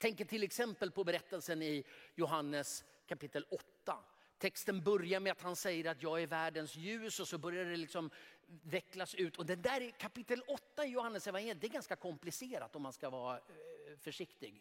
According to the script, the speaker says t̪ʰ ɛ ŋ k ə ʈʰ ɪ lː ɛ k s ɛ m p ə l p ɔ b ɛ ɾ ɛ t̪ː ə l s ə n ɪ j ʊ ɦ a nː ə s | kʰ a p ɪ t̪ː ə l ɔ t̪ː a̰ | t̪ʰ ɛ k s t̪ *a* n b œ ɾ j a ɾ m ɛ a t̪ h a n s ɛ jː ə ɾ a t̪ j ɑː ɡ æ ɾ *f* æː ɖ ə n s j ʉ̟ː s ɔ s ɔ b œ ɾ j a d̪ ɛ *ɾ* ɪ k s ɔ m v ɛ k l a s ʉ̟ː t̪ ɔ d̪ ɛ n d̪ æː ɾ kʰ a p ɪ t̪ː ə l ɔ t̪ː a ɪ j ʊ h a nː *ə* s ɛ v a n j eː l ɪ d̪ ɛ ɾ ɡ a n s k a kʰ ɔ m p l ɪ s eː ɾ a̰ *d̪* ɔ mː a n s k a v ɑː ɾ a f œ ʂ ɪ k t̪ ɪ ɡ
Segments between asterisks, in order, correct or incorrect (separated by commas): incorrect, incorrect, incorrect, correct, incorrect